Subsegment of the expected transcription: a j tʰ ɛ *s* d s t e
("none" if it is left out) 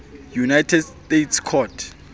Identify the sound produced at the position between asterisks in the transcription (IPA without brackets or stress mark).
none